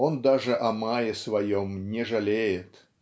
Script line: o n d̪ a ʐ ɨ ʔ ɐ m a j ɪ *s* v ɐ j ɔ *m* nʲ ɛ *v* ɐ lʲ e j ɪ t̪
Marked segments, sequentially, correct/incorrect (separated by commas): correct, correct, incorrect